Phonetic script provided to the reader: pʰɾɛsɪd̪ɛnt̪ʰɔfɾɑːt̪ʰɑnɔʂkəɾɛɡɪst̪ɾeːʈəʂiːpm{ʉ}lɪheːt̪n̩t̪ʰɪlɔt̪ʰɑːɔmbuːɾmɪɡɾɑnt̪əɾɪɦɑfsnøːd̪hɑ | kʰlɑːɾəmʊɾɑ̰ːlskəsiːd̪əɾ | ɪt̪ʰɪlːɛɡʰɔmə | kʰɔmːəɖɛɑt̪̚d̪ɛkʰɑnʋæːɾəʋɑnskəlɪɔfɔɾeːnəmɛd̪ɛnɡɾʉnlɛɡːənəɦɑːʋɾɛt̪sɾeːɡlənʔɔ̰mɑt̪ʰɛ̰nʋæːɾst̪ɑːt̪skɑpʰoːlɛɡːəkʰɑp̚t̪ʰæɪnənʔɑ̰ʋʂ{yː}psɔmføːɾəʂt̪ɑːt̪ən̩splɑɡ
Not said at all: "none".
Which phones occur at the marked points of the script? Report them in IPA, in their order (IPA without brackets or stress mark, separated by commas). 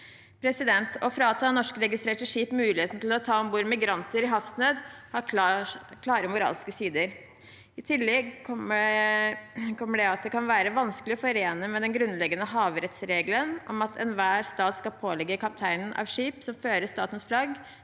ʉː, iː